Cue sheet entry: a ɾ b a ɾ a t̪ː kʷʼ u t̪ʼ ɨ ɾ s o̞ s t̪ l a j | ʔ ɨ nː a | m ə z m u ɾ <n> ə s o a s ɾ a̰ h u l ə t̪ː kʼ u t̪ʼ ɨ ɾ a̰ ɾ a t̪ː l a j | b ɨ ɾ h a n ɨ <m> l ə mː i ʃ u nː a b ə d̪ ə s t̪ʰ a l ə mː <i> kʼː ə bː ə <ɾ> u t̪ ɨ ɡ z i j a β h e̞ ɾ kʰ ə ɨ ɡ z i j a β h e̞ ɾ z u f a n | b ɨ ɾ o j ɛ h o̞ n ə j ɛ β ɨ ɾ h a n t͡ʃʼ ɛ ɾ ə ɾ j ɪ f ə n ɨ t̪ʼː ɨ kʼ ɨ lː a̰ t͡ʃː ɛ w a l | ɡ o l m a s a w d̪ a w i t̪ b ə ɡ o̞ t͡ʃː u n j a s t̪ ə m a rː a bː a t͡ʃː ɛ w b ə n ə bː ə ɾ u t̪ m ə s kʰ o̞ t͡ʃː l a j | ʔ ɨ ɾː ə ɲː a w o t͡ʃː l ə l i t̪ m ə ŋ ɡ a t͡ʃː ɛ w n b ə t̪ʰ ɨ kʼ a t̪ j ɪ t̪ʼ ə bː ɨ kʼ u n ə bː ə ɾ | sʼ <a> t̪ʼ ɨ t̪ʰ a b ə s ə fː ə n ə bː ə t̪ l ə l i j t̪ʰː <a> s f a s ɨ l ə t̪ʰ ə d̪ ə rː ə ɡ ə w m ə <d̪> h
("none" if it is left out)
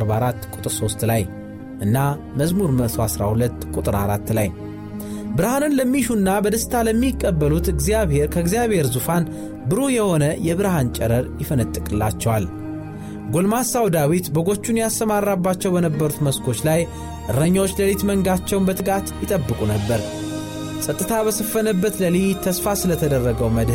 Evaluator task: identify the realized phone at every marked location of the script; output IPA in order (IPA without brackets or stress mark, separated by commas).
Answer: m, n, i, l, ə, ə, d̪